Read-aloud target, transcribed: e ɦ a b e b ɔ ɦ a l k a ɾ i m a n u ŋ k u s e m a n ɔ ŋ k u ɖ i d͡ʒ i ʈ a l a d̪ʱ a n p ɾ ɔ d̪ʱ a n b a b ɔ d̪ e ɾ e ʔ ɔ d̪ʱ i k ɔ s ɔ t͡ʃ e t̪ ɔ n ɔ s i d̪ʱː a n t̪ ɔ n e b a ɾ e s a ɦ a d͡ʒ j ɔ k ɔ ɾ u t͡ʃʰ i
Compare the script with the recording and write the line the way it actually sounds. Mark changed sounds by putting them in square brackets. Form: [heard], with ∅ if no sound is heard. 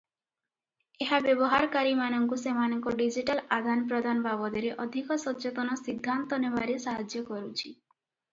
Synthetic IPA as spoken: e ɦ a b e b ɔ ɦ a [ɾ] k a ɾ i m a n [ɔ] ŋ k u s e m a n ɔ ŋ k [ɔ] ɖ i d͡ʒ i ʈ a l a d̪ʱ a n p ɾ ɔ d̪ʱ a n b a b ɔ d̪ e ɾ e ʔ ɔ d̪ʱ i k ɔ s ɔ t͡ʃ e t̪ ɔ n ɔ s i d̪ʱː a n t̪ ɔ n e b a ɾ e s a ɦ a d͡ʒ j ɔ k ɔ ɾ u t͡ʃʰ i

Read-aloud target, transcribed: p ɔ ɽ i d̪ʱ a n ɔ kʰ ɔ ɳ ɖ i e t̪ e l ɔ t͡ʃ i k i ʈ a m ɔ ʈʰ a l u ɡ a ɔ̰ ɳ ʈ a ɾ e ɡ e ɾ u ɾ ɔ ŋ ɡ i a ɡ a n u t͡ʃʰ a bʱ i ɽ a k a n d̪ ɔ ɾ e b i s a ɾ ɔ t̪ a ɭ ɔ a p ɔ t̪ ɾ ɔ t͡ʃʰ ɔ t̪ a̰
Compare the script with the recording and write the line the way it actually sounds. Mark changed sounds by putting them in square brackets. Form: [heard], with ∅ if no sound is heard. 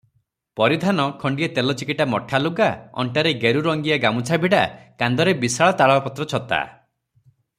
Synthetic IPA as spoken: p ɔ [ɾ] i d̪ʱ a n ɔ kʰ ɔ ɳ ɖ i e t̪ e l ɔ t͡ʃ i k i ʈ a m ɔ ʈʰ a l u ɡ a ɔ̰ ɳ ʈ a ɾ e ɡ e ɾ u ɾ ɔ ŋ ɡ i a ɡ a [m] u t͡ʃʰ a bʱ i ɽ a k a n d̪ ɔ ɾ e b i s a [ɭ] ɔ t̪ a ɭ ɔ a p ɔ t̪ ɾ ɔ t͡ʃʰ ɔ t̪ a̰

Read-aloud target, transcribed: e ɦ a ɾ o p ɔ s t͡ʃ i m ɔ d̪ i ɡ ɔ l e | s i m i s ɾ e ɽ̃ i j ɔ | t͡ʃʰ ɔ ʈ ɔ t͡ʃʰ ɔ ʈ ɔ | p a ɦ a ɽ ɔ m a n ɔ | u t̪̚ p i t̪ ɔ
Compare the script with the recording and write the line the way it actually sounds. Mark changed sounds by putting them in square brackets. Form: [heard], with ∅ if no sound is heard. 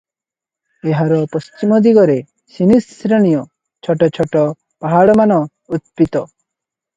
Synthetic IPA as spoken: e ɦ a ɾ [ɔ] p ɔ s t͡ʃ i m ɔ d̪ i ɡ ɔ [ɾ] e | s i [n] i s ɾ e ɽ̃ i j ɔ | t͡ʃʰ ɔ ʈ ɔ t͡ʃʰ ɔ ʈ ɔ | p a ɦ a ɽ ɔ m a n ɔ | u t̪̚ p i t̪ ɔ

